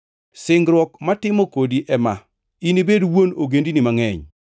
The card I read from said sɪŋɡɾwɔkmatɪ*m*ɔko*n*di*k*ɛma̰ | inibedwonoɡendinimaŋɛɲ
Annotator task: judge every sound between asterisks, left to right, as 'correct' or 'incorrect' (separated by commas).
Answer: correct, incorrect, incorrect